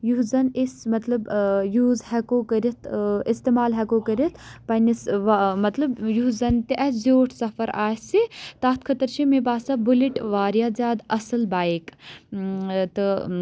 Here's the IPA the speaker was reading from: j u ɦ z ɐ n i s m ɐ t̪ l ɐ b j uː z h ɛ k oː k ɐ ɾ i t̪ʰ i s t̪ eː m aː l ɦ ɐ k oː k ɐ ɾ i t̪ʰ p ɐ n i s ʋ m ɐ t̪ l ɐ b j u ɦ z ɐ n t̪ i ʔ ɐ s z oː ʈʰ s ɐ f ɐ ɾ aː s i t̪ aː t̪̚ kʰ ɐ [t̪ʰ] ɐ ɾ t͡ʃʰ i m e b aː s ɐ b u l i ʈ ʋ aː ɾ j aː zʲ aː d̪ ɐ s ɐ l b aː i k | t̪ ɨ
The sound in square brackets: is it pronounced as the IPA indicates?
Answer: no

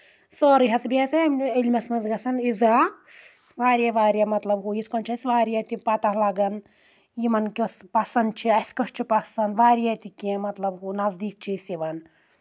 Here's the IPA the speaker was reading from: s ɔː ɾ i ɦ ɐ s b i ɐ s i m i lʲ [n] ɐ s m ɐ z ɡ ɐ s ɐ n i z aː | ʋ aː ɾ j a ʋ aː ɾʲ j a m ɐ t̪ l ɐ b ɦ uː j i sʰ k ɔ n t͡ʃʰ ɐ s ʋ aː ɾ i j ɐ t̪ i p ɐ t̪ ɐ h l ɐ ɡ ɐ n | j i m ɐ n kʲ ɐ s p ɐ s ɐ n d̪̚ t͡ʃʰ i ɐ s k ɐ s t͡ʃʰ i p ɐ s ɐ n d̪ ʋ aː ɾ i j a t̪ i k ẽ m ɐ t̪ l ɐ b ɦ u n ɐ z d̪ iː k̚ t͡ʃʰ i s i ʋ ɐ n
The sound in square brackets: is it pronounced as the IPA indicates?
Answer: no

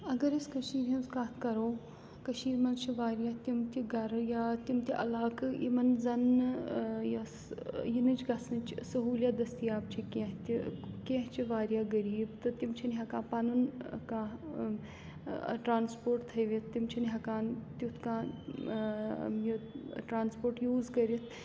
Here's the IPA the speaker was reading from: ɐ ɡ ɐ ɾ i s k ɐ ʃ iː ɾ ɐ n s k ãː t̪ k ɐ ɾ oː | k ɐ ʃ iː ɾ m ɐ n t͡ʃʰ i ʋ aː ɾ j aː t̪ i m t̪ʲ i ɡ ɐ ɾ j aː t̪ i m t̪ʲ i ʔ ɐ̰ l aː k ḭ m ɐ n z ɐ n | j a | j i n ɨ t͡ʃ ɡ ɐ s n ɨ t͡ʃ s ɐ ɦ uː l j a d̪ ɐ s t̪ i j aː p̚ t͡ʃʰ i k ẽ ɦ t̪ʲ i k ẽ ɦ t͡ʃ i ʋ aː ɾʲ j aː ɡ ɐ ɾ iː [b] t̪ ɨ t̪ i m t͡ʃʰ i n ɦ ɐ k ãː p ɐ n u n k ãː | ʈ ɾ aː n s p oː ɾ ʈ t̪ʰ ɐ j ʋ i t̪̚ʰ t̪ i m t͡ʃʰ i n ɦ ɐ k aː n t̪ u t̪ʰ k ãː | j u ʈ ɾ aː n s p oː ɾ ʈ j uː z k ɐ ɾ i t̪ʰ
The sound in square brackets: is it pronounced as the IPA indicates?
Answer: yes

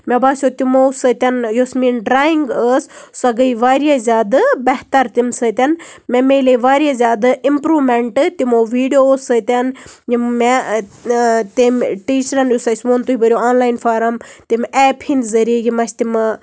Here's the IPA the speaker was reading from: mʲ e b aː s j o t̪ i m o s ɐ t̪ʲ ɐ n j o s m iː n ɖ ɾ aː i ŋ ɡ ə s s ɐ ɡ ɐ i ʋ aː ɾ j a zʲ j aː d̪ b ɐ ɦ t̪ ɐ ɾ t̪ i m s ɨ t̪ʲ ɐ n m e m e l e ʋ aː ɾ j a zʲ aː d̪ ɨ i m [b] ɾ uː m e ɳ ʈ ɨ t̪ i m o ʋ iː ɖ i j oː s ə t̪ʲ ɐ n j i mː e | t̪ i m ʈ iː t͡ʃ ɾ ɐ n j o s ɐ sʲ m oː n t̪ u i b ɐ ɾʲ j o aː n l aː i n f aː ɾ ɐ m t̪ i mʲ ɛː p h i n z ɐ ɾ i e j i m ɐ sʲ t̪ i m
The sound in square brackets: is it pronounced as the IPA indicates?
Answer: no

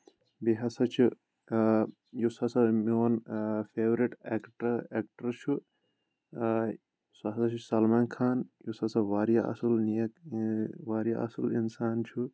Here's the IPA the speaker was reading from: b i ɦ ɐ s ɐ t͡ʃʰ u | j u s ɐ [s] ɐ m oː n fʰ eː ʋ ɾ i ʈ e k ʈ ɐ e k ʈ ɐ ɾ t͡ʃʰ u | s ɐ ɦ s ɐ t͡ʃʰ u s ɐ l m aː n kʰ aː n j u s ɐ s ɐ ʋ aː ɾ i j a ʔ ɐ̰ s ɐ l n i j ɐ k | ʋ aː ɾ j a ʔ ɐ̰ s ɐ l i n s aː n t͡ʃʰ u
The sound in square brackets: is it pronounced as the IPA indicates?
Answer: yes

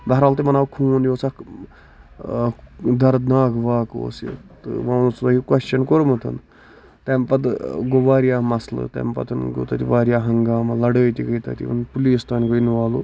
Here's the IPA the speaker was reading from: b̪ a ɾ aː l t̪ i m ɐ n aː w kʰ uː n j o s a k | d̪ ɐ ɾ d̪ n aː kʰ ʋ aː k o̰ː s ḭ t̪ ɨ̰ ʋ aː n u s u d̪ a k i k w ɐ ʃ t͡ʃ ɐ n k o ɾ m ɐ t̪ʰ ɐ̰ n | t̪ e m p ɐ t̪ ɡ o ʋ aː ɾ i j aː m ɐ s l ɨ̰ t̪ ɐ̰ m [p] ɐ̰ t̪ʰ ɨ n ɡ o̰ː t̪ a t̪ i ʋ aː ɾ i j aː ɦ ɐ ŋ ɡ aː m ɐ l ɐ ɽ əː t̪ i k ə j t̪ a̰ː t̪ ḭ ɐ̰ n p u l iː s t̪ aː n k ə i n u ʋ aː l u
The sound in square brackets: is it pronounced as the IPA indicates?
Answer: yes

